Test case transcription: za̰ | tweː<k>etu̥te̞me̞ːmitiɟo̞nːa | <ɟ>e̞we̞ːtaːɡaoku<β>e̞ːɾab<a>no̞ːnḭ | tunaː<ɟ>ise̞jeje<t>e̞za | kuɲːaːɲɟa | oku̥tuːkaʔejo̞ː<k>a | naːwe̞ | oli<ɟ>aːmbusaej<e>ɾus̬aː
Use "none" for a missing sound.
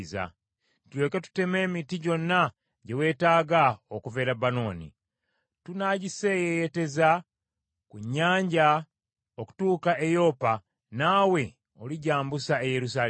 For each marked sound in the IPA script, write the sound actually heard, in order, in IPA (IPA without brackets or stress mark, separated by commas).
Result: k, ɟ, v, a, ɟ, t, p, ɟ, e